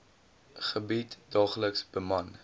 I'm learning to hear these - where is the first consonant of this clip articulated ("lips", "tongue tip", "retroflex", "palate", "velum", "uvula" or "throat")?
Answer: uvula